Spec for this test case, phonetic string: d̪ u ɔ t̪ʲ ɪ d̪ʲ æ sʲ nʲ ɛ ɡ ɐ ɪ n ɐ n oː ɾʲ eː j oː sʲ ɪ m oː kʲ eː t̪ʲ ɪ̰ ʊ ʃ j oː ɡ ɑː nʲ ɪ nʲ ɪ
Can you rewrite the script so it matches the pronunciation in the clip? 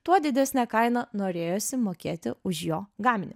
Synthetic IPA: t̪ u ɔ d̪ʲ ɪ d̪ʲ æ sʲ nʲ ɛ k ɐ ɪ n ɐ n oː ɾʲ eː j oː sʲ ɪ m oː kʲ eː t̪ʲ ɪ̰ ʊ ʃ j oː ɡ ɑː mʲ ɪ nʲ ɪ